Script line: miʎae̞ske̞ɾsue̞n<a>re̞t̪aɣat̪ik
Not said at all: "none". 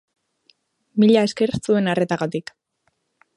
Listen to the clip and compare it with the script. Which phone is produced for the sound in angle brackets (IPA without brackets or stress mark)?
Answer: a